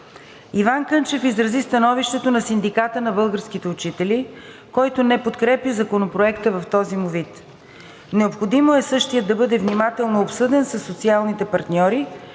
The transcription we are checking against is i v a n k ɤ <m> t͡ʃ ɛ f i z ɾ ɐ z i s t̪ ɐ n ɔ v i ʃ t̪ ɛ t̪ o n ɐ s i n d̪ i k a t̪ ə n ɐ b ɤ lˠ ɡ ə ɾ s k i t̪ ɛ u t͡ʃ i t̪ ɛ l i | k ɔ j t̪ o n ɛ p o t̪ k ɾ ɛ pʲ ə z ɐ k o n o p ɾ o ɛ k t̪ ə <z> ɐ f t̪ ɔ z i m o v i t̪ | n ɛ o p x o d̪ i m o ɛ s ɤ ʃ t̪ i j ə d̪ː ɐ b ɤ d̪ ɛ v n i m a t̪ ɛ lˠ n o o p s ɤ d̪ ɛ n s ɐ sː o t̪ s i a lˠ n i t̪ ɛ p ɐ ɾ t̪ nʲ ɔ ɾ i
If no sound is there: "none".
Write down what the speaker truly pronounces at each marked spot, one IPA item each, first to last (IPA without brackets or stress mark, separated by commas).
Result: n, v